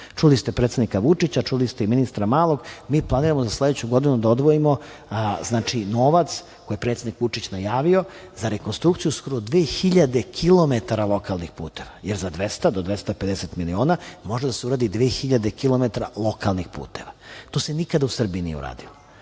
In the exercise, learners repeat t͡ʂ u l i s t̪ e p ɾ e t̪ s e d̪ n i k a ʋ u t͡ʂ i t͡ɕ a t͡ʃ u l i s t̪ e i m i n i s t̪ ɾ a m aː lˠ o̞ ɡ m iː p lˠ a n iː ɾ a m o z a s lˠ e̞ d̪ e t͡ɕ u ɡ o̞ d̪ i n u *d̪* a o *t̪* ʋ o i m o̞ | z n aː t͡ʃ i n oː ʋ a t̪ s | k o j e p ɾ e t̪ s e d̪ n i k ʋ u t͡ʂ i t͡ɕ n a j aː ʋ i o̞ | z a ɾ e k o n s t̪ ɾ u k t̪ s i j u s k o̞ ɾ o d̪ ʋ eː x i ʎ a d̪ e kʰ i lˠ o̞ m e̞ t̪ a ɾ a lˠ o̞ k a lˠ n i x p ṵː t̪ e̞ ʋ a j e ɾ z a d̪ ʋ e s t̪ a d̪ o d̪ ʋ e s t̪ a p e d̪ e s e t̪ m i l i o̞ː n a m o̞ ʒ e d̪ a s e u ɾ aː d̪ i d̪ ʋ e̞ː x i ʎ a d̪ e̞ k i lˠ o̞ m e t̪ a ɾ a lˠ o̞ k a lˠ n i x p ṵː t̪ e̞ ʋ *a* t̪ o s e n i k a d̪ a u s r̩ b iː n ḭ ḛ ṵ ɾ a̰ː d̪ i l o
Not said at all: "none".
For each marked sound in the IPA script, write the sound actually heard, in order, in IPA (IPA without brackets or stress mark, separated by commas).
d̪, d̪, a